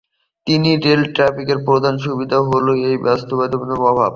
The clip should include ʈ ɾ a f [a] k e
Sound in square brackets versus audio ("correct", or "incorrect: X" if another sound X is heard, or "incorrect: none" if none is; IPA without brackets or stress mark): incorrect: i